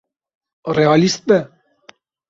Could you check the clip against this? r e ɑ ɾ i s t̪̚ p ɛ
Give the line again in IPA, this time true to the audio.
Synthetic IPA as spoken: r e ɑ l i s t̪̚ b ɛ